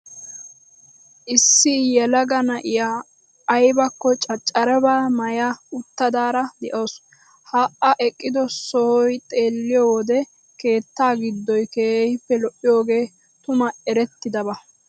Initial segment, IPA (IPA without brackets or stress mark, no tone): ʔ